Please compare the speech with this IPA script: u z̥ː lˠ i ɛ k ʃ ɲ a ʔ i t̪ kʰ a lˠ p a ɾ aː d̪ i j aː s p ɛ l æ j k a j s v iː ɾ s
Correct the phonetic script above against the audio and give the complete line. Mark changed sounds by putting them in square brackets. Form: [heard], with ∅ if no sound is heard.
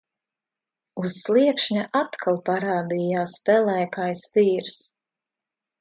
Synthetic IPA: u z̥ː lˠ i ɛ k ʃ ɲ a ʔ [a] t̪ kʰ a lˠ p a ɾ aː d̪ i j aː s p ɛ l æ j k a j s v iː ɾ s